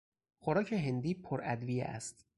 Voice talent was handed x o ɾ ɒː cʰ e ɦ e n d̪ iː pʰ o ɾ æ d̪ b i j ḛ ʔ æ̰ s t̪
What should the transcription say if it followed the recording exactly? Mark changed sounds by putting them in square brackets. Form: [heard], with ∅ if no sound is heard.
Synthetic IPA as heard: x o ɾ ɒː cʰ e ɦ e n d̪ iː pʰ o ɾ æ d̪ [v] i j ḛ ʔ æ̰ s t̪